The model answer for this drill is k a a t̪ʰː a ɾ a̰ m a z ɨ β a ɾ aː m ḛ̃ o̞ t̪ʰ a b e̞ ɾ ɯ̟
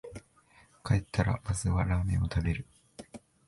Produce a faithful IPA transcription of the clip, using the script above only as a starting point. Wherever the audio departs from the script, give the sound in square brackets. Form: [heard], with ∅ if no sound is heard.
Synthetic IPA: k a [e] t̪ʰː a ɾ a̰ m a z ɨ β a ɾ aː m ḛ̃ o̞ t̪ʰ a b e̞ ɾ ɯ̟